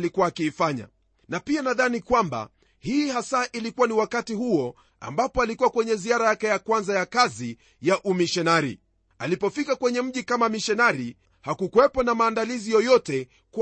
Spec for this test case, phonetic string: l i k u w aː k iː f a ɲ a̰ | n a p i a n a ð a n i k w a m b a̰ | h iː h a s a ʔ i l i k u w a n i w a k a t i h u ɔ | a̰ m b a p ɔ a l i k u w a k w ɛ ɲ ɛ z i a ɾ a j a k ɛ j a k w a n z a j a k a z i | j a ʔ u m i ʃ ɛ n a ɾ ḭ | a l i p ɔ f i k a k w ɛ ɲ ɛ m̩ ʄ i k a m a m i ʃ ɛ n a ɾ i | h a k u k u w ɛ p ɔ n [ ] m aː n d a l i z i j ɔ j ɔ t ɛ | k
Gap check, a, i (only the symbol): a